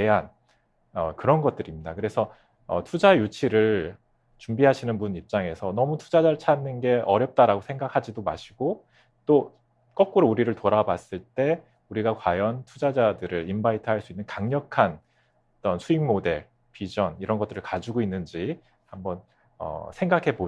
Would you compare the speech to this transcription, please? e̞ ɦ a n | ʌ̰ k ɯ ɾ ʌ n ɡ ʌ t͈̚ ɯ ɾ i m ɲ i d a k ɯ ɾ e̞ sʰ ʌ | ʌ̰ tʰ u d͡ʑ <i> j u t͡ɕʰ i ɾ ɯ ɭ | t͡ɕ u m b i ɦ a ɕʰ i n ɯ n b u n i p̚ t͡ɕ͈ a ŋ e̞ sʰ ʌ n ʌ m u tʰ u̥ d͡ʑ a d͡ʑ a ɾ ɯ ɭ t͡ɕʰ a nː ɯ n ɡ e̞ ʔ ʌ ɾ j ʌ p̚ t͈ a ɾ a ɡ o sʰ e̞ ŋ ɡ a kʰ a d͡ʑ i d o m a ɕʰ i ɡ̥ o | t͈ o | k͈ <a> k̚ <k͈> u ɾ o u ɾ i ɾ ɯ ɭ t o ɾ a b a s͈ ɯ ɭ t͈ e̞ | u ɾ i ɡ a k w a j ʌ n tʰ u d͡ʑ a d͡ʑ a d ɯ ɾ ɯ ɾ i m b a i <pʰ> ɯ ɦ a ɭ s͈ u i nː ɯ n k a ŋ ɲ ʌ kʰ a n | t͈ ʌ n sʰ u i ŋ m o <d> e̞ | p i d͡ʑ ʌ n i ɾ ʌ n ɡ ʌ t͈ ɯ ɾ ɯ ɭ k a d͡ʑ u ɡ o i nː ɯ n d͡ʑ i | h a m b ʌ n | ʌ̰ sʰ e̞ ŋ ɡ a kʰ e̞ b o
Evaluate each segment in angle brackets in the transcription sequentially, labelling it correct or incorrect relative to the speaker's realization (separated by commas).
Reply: incorrect, incorrect, correct, incorrect, correct